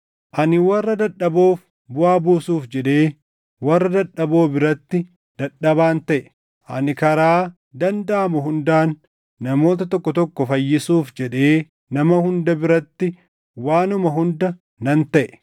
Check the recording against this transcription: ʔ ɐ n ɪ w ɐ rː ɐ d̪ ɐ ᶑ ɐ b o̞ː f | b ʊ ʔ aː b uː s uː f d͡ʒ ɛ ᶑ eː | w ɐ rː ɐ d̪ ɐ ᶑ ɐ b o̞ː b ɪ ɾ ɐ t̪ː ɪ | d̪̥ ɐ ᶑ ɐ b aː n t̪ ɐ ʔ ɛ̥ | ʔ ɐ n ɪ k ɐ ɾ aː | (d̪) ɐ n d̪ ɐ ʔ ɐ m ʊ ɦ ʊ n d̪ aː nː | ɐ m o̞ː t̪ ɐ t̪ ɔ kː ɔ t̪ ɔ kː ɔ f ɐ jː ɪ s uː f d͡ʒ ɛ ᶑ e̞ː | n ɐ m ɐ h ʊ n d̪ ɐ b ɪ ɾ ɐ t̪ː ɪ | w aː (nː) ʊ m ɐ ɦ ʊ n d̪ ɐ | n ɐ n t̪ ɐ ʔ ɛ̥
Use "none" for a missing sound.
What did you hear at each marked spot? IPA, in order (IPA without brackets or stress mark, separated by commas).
d̪, n